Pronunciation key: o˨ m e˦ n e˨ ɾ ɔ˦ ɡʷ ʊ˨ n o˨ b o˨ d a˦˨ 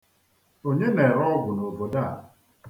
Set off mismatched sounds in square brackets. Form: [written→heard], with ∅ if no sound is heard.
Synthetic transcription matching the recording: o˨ [m→ɲ] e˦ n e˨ ɾ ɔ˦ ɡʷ ʊ˨ n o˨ b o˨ d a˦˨